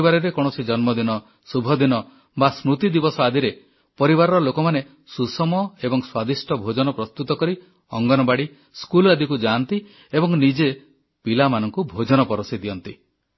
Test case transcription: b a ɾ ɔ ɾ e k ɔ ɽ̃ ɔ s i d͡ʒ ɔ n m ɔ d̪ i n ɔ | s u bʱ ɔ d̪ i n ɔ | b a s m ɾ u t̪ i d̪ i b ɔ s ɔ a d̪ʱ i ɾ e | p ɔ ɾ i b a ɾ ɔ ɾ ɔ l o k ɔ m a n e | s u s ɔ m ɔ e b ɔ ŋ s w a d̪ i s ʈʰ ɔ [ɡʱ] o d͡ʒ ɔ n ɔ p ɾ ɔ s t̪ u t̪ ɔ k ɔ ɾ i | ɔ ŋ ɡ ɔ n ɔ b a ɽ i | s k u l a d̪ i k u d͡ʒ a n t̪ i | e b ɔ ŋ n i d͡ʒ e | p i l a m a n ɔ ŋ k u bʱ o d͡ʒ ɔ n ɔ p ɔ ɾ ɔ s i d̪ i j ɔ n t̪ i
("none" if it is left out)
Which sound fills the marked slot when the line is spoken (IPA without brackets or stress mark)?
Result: bʱ